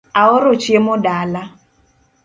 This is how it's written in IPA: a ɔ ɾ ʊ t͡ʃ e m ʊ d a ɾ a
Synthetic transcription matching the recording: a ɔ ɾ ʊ t͡ʃ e m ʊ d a l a